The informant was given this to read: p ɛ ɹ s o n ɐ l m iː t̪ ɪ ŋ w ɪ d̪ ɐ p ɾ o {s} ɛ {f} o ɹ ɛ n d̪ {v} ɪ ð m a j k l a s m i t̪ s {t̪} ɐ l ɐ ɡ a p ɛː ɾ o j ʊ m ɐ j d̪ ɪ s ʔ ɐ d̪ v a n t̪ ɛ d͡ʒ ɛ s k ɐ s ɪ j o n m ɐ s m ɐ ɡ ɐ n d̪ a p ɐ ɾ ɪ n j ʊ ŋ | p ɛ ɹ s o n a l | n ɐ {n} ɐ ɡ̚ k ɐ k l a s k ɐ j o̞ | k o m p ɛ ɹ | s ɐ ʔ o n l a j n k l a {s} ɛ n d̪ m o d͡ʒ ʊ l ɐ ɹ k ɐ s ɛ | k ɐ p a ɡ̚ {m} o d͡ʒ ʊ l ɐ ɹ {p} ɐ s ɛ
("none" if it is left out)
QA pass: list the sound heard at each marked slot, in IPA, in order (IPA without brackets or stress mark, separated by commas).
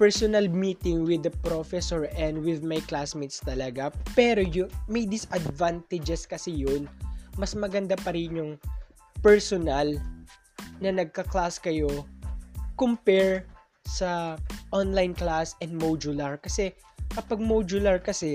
f, s, w, t̪, n, s, m, k